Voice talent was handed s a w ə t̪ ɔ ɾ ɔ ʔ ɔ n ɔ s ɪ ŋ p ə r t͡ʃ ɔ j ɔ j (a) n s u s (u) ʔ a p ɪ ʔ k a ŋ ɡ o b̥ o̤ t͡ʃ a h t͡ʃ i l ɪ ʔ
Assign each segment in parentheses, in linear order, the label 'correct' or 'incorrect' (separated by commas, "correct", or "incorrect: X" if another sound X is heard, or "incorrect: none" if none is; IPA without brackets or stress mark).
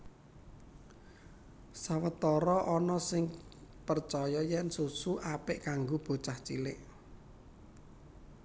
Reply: incorrect: ɛ, correct